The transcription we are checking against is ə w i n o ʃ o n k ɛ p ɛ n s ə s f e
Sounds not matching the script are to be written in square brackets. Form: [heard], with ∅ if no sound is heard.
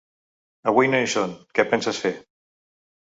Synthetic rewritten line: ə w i n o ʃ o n k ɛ p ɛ n s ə s f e